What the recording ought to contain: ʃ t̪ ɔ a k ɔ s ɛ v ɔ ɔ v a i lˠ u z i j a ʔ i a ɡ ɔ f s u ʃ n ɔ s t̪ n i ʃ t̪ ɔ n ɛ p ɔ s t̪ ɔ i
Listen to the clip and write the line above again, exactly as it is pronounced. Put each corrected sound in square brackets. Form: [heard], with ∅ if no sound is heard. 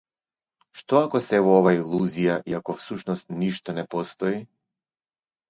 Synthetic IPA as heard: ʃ t̪ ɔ a k ɔ s ɛ v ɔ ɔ v a i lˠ u z i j a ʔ i a [k] ɔ f s u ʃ n ɔ s t̪ n i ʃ t̪ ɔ n ɛ p ɔ s t̪ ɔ i